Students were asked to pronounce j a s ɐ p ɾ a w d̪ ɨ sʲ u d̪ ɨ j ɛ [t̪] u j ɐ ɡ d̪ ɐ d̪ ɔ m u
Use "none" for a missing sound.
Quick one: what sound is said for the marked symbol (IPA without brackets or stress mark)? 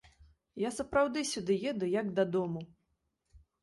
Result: d̪